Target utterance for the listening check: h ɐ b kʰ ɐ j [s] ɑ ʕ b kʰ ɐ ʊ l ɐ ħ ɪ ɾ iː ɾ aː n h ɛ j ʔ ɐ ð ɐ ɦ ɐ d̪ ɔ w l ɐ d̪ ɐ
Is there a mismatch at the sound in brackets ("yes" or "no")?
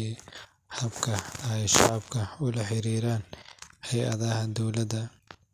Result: yes